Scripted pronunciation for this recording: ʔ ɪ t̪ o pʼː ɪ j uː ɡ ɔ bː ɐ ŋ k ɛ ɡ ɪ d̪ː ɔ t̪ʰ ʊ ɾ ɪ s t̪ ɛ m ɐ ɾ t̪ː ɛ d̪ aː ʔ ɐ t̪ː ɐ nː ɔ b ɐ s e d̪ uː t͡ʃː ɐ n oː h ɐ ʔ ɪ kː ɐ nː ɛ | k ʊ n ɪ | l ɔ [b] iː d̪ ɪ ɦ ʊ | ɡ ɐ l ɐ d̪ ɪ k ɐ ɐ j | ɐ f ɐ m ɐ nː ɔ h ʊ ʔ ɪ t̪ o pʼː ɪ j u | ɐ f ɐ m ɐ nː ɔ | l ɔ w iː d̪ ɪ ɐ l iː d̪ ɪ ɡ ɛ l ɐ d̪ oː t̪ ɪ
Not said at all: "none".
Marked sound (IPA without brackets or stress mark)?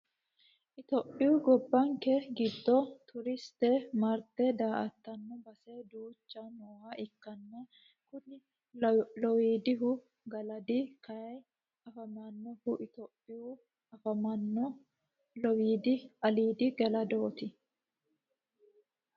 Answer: w